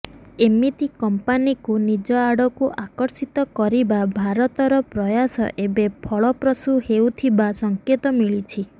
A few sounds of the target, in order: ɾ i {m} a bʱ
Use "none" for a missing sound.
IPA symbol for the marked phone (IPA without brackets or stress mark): b